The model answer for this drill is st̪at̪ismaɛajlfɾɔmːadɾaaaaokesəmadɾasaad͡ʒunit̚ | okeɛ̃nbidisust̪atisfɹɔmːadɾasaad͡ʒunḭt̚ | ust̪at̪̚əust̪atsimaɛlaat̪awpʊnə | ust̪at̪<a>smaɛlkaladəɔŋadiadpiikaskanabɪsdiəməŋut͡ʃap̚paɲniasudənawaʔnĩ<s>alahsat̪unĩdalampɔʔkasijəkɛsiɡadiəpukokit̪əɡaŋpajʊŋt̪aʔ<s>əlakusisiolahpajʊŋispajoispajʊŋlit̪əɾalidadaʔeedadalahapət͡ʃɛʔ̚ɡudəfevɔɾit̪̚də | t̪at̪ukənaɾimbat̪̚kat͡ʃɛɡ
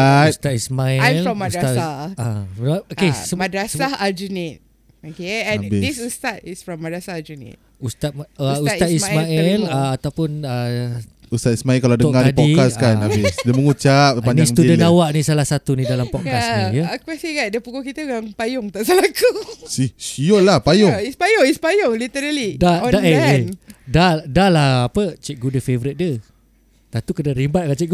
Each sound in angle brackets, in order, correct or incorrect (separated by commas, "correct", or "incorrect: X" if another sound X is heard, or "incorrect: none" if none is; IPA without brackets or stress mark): incorrect: i, correct, correct